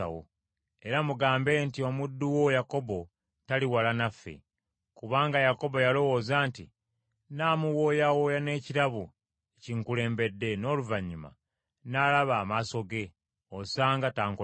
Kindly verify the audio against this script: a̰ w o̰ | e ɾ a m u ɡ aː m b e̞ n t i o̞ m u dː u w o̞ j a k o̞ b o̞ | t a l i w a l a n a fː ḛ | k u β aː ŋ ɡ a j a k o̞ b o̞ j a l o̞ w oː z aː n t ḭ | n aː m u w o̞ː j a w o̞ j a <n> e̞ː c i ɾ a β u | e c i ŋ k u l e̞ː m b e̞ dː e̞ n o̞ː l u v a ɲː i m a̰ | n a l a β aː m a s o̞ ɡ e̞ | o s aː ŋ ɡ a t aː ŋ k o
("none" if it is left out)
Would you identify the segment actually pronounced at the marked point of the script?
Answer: n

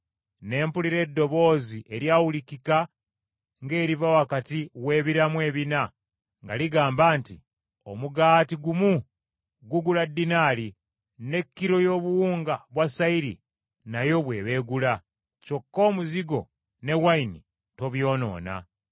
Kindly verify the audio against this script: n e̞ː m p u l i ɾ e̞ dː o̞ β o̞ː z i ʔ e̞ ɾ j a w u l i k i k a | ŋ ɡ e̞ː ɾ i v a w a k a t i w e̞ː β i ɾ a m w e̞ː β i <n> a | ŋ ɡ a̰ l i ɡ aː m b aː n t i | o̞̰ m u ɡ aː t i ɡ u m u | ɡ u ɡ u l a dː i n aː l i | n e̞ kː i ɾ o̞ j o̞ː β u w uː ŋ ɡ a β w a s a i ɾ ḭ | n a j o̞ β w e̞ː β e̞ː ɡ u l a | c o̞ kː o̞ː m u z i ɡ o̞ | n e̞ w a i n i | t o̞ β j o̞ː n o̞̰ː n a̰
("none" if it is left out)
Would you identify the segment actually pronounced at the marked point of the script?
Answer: n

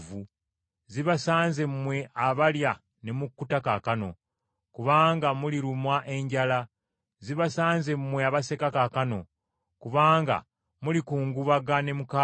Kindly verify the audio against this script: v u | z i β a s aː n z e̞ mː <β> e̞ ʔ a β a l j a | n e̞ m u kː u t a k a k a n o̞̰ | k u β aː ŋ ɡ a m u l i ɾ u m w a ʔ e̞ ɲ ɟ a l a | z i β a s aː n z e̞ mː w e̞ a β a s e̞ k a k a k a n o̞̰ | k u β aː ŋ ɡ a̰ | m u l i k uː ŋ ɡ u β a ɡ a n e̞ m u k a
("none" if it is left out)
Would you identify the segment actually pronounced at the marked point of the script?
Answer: w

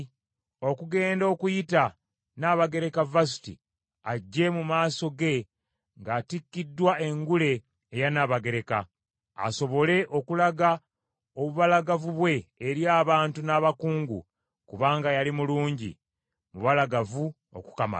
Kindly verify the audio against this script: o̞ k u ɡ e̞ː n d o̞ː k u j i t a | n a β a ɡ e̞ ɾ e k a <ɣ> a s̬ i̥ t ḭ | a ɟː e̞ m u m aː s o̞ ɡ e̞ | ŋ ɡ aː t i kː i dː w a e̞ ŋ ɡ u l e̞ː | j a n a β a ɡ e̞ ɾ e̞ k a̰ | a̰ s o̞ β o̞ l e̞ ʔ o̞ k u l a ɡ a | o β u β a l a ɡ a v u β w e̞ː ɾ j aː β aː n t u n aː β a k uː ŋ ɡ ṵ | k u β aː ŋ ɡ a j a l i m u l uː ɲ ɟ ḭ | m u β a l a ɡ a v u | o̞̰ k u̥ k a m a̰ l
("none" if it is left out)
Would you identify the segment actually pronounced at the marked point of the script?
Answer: v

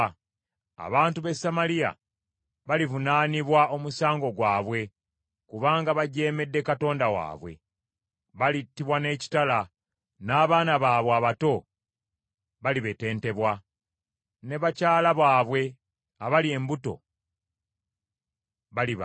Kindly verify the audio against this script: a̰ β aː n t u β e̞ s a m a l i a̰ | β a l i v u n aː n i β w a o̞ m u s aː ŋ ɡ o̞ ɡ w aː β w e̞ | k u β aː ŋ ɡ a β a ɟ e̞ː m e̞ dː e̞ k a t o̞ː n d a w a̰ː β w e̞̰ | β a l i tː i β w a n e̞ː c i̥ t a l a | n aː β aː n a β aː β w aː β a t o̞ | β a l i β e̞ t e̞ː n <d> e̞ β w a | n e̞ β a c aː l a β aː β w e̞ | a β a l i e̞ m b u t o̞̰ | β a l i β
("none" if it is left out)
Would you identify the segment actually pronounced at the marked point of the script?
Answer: t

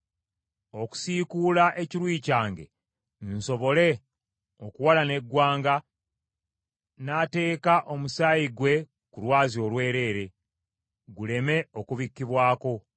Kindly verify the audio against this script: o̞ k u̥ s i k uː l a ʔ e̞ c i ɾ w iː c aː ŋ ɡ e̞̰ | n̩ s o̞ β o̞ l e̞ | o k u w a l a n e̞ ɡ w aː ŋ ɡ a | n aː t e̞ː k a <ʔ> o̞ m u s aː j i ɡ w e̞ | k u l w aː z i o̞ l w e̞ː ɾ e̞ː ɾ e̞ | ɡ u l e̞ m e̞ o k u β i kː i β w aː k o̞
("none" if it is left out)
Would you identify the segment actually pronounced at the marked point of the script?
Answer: ʔ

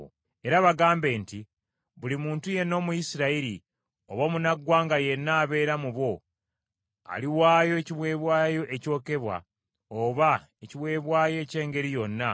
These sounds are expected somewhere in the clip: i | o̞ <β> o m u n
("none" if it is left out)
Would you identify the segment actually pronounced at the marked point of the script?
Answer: β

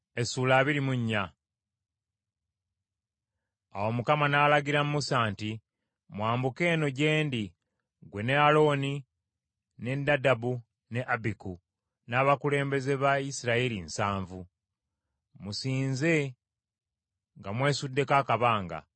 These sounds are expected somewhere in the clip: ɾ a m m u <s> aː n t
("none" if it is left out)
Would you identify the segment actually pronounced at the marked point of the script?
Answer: s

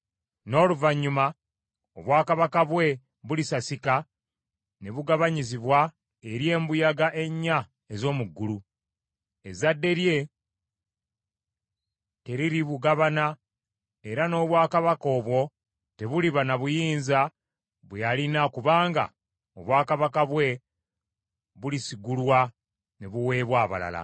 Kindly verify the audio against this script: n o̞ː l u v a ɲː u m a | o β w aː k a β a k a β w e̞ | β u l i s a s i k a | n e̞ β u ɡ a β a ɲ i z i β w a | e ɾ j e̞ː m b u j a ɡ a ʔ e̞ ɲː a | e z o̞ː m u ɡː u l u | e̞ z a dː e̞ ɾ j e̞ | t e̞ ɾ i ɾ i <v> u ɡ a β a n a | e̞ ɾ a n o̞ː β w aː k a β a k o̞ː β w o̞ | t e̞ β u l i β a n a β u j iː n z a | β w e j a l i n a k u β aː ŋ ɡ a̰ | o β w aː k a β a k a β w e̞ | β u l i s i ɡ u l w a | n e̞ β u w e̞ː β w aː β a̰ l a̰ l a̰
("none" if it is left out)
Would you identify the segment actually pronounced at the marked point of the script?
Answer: β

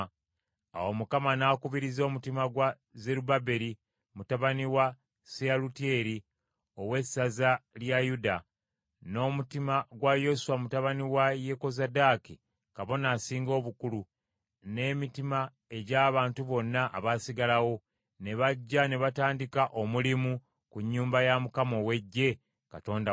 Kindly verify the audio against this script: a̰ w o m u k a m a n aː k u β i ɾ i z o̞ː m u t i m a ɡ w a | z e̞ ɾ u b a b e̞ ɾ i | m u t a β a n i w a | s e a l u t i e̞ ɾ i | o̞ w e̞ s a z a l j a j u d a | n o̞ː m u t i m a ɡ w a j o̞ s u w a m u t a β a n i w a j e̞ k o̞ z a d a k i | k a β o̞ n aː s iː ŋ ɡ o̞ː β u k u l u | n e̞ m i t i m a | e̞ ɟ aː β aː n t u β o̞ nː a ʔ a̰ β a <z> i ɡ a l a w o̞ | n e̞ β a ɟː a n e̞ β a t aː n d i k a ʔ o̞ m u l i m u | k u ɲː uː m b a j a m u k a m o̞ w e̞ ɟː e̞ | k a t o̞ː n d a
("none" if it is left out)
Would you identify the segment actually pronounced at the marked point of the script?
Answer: s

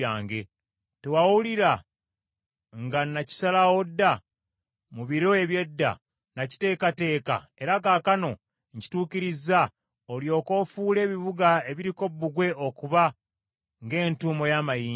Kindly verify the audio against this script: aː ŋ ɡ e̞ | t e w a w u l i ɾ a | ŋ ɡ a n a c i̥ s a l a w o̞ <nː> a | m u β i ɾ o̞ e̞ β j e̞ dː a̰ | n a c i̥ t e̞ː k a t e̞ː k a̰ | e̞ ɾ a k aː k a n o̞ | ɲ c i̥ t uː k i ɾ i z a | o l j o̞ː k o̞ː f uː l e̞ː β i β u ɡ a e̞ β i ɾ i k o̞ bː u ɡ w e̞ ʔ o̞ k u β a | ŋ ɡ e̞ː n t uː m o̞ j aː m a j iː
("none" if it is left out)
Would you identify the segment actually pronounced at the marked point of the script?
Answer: dː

